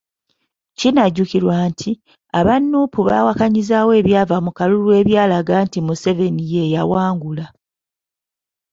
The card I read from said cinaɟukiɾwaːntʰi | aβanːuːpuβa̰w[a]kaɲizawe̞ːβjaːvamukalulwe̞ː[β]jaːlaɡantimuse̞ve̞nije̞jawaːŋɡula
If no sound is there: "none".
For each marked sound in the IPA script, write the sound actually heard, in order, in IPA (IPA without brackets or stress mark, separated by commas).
a, β